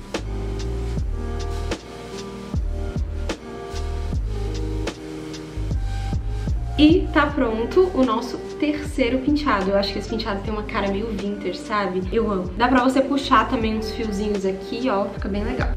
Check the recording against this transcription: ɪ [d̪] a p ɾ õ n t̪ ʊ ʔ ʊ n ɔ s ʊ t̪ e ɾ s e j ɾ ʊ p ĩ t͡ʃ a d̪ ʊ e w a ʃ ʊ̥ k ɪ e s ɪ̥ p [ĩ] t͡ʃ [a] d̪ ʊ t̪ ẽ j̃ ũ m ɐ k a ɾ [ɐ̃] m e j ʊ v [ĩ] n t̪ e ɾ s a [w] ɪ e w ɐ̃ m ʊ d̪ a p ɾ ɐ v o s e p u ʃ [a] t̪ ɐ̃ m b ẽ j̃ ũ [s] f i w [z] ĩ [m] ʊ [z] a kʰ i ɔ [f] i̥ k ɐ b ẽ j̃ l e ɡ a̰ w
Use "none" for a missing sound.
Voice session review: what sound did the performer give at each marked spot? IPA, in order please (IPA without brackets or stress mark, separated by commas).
t̪, ĩ, a, ɐ, ĩ, b, a, s, z, ɲ, z, f